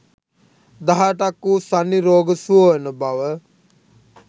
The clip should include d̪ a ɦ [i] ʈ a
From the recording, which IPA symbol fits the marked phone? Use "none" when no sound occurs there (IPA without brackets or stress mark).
a